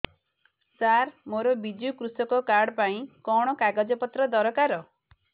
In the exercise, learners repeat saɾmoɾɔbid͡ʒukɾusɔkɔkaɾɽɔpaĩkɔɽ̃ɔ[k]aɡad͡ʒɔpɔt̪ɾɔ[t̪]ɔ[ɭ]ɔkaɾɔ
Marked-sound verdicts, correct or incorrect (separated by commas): correct, incorrect, incorrect